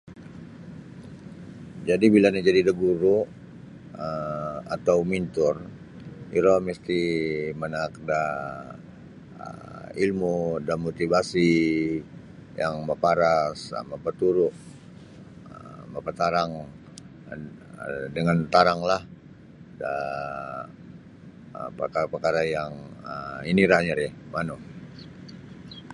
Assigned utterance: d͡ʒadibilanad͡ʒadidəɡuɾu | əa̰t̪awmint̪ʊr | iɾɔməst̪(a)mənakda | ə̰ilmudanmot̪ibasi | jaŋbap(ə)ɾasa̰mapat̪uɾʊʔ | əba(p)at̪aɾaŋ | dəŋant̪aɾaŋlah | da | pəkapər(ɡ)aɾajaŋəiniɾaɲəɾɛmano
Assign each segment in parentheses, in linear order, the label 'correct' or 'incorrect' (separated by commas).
incorrect, incorrect, correct, incorrect